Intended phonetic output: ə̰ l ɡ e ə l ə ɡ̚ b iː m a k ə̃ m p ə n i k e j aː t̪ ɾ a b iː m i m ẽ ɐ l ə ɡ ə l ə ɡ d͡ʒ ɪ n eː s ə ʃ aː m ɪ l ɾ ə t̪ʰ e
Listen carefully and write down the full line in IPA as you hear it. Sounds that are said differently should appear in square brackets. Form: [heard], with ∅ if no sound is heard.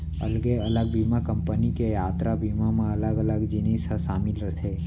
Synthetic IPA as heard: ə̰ l ɡ e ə l ə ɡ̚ b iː m a k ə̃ m p ə n i k e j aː t̪ ɾ a b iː m [a] m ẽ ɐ l ə ɡ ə l ə ɡ d͡ʒ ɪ n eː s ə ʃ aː m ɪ l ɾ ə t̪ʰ e